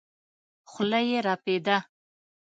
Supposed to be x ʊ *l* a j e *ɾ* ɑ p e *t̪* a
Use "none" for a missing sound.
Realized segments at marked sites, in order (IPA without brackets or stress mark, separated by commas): l, ɾ, d̪